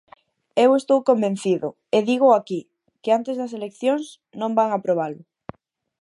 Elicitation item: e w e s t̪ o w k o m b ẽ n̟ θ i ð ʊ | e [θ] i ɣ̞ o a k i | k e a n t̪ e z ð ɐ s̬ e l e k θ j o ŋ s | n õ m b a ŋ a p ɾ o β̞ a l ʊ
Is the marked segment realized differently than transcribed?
yes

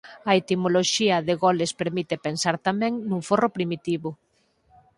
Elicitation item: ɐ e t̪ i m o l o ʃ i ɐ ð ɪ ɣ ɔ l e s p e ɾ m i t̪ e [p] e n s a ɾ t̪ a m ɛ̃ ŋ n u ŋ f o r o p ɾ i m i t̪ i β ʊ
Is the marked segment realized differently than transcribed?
no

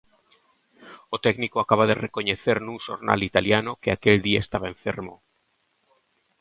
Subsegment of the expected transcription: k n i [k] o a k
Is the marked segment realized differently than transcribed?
no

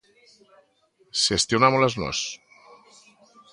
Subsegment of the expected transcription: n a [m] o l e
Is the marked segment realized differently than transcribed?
no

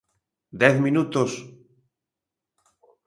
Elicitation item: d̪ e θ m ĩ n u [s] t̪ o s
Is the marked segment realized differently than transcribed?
yes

